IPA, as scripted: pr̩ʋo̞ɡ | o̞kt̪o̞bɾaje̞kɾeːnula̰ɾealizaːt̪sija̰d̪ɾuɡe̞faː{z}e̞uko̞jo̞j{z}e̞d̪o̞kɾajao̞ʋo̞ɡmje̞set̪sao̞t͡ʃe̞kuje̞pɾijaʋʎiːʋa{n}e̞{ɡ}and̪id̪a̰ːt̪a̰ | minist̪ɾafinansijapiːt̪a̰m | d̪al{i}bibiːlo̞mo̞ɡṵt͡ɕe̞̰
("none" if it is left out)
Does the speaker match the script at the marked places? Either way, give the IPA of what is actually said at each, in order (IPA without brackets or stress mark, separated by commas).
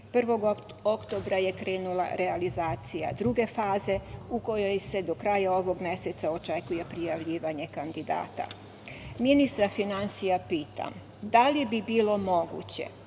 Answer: z, s, ɲ, k, i